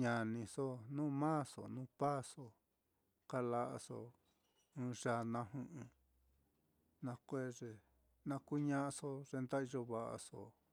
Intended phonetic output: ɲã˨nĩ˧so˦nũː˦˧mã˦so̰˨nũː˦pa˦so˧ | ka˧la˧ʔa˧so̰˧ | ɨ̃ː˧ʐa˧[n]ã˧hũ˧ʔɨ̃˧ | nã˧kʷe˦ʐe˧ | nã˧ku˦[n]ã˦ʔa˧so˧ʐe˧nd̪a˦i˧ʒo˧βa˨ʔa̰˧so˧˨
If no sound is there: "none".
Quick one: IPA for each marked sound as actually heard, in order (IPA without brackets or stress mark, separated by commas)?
n, ɲ